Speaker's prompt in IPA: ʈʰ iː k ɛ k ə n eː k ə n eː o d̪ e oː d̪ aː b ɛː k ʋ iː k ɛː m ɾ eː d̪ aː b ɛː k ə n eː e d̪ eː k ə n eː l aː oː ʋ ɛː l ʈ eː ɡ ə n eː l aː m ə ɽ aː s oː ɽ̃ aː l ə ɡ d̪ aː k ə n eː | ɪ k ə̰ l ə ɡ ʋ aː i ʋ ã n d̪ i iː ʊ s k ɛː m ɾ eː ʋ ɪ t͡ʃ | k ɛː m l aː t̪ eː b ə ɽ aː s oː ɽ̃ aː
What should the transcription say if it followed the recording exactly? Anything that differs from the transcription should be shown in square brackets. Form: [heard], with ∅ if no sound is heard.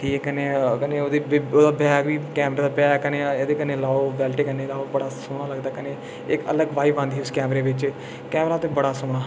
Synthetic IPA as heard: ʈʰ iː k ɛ k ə n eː k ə n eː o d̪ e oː d̪ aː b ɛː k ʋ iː k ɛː m ɾ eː d̪ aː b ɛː k ə n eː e d̪ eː k ə n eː l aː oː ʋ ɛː l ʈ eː [k] ə n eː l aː [b] ə ɽ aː s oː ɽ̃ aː l ə ɡ d̪ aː k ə n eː | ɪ k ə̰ l ə ɡ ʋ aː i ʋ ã n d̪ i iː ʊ s k ɛː m ɾ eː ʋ ɪ t͡ʃ | k ɛː m [ɾ] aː t̪ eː b ə ɽ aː s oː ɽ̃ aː